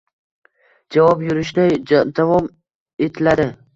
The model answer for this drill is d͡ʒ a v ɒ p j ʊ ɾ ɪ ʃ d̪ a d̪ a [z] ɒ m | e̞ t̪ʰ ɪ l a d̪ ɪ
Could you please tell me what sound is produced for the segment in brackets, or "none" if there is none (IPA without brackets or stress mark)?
v